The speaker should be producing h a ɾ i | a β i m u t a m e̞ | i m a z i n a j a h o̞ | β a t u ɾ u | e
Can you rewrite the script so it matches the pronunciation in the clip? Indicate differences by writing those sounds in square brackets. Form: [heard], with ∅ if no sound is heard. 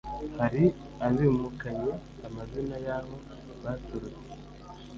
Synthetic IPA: h a ɾ i | a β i m u [k] a [ɲ] e̞ | [a] m a z i n a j a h o̞ | β a t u ɾ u | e